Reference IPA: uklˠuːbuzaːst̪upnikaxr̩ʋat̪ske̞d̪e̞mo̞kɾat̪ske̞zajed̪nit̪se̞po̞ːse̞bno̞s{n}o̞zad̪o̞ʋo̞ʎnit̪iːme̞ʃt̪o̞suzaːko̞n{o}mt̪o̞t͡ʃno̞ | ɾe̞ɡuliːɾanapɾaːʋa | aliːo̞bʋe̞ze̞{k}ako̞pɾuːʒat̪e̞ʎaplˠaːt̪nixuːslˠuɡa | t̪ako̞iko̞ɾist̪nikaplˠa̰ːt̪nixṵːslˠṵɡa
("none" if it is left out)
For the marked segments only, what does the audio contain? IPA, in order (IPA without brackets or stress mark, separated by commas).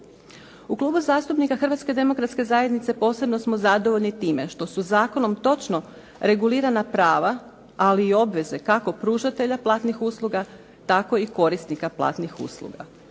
m, o, k